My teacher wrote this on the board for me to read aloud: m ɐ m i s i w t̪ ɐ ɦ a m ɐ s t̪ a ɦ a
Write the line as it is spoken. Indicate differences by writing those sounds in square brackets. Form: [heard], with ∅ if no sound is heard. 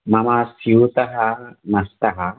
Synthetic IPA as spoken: m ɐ m [a] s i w t̪ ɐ ɦ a m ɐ s t̪ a ɦ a